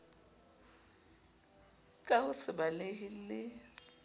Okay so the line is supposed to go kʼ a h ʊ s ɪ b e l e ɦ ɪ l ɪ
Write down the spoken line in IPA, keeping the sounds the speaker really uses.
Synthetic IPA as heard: kʼ a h ʊ s ɪ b a l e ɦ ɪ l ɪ